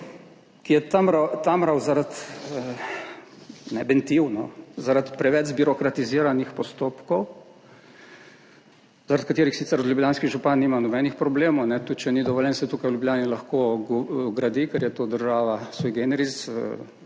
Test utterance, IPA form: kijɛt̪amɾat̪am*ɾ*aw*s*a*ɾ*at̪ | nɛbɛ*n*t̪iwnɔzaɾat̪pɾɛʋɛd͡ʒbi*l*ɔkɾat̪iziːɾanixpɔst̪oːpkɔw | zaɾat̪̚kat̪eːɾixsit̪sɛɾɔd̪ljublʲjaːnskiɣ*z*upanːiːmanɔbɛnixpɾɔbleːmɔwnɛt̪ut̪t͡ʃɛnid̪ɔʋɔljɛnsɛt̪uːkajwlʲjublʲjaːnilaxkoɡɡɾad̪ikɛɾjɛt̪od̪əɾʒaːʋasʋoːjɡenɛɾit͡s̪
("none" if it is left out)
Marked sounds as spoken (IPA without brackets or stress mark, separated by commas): ɾ, z, ɾ, n, ɾ, ʒ